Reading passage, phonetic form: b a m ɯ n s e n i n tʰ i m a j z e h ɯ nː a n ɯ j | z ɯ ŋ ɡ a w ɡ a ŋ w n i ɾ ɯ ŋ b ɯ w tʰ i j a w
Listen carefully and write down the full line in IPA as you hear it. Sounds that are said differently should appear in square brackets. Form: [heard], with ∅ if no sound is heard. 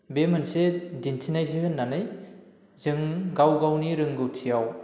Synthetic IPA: b [e] m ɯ n s e [d] i n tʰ i [n] a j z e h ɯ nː a n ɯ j | z ɯ ŋ ɡ a w ɡ a [∅] w n i ɾ ɯ ŋ [ɡ] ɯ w tʰ i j a w